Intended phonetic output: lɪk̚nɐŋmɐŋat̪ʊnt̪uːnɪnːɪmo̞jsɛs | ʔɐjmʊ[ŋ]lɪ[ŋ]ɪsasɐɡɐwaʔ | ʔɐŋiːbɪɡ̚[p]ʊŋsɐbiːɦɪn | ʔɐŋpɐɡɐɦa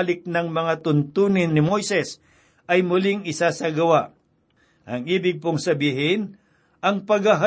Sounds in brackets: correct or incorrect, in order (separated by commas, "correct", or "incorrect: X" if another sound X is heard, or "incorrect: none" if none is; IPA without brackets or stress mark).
incorrect: none, correct, correct